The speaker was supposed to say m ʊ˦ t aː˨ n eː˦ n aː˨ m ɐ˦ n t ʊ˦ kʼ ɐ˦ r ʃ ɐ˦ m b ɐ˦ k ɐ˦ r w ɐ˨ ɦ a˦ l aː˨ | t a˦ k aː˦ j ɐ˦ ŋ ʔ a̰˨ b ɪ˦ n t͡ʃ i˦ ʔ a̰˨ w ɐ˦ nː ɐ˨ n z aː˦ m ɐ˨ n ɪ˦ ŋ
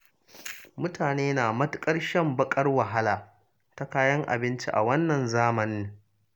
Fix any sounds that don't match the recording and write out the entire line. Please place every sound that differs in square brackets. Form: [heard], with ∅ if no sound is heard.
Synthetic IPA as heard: m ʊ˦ t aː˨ n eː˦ n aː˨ m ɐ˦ [∅] t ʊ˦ kʼ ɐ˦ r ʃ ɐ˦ m b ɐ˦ [kʼ] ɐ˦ r w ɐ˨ ɦ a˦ l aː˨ | t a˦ k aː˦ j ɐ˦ ŋ ʔ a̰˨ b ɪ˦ n t͡ʃ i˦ ʔ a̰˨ w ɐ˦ nː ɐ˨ n z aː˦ m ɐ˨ n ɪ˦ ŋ